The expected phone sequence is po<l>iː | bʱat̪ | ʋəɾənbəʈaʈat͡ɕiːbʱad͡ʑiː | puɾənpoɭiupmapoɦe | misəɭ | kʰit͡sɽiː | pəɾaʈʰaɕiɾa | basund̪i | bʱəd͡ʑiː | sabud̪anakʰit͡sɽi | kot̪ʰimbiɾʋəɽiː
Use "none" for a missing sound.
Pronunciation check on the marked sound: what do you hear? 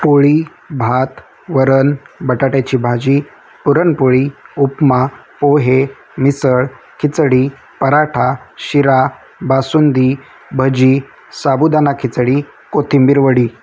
ɭ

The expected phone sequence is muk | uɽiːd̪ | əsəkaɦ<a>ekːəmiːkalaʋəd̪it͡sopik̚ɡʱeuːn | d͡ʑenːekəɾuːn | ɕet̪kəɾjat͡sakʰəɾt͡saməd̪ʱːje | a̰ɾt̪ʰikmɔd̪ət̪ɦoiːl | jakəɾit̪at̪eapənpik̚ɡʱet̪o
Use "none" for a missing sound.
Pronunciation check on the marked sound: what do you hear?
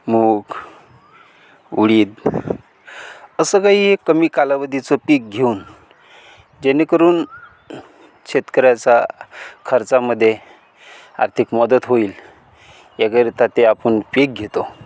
i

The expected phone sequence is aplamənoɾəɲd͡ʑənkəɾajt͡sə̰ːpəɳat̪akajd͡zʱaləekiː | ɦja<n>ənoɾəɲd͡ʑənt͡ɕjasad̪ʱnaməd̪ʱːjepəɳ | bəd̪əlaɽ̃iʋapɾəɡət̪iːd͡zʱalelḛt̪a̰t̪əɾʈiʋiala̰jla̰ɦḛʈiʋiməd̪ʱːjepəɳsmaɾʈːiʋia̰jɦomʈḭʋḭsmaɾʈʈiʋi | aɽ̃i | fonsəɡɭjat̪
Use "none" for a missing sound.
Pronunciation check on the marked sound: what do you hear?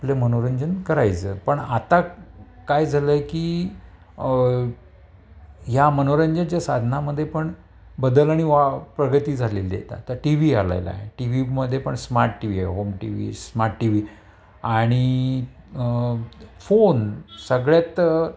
m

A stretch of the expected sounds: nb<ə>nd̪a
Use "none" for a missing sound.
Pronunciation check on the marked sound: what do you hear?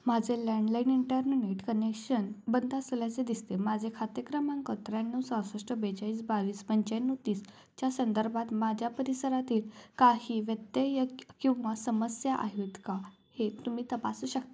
ə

